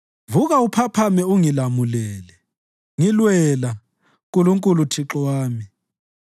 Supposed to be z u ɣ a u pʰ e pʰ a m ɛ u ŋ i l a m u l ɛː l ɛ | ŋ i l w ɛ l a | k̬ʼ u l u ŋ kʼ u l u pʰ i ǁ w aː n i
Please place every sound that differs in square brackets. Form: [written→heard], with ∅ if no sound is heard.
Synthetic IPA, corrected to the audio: [z→v] u ɣ a u pʰ [e→a] pʰ a m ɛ u ŋ i l a m u l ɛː l ɛ | ŋ i l w ɛ l a | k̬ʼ u l u ŋ kʼ u l u [pʰ→tʰ] i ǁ w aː [n→m] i